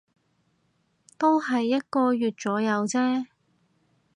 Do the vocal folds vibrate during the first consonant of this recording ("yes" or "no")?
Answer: no